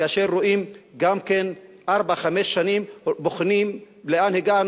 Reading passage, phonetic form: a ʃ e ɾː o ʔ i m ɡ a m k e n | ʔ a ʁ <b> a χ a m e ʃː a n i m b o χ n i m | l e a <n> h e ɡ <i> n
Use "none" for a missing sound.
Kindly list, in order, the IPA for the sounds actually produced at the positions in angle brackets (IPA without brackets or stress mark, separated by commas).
b, n, a